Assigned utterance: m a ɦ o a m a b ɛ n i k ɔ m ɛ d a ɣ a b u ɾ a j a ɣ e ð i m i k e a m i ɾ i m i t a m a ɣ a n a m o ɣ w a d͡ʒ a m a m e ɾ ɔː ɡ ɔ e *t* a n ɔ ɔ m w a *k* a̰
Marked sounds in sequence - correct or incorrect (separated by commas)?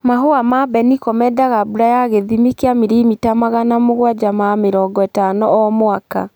correct, correct